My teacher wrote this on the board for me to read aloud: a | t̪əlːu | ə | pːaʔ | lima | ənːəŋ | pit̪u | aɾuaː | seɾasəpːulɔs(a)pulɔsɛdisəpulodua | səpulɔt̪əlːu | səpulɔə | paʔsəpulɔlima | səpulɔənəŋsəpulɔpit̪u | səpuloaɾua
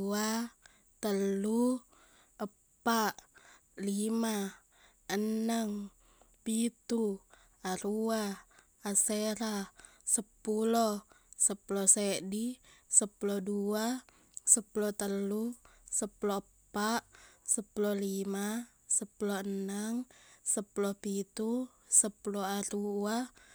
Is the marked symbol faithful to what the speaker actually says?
no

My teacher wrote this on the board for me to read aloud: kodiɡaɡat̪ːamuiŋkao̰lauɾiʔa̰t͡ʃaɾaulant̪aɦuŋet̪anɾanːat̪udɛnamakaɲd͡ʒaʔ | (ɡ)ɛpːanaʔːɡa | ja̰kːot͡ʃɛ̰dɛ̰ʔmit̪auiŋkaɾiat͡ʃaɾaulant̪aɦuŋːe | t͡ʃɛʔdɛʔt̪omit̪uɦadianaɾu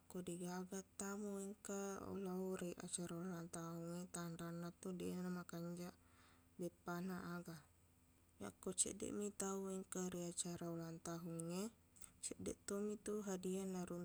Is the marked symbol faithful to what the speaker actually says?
no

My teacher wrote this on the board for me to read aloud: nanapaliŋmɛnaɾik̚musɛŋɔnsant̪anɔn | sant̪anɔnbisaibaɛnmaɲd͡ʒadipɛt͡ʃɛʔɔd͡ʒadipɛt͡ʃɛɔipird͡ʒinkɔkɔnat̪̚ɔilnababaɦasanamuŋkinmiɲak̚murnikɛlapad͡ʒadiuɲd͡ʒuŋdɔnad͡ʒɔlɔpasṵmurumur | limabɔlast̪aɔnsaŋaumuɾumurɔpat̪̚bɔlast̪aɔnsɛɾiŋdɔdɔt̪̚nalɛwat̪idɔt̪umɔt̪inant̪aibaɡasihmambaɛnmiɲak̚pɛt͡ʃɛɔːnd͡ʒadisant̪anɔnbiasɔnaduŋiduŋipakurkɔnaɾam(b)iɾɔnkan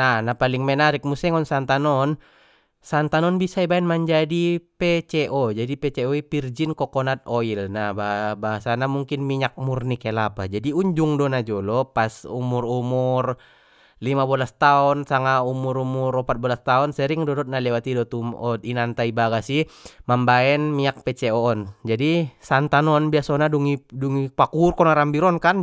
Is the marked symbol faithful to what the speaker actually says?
yes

